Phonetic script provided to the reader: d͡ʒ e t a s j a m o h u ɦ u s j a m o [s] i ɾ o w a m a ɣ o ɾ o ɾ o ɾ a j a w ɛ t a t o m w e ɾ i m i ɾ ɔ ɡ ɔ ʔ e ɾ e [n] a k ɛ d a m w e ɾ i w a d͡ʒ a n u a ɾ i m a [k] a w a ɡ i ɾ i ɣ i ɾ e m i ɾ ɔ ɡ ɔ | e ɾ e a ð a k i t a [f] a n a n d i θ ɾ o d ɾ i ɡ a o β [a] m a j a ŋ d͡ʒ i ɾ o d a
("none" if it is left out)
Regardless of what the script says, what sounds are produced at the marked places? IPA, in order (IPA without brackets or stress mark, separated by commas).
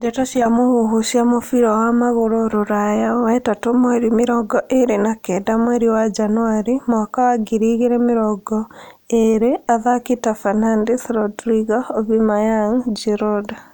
f, n, k, f, i